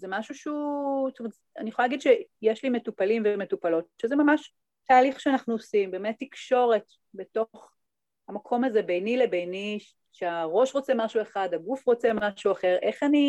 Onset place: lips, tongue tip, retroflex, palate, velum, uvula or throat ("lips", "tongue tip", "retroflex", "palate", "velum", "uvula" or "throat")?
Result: tongue tip